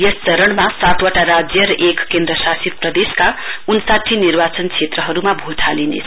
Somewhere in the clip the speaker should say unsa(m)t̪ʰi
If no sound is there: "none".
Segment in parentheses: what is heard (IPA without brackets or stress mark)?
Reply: none